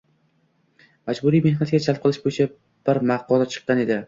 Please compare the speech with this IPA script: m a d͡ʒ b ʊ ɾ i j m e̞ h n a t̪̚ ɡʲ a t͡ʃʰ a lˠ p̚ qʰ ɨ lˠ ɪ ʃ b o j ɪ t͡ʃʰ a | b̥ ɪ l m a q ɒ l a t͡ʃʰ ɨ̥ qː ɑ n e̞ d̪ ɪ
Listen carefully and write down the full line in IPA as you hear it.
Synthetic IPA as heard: m a d͡ʒ b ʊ ɾ i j m e̞ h n a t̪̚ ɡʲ a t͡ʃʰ a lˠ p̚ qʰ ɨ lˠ ɪ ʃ b o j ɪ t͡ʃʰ a | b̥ ɪ ɾ m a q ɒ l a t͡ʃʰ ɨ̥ qː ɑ n e̞ d̪ ɪ